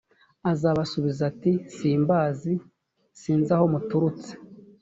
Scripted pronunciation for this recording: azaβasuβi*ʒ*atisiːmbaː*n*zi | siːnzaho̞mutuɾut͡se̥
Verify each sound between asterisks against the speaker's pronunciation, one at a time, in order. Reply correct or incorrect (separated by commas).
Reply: incorrect, incorrect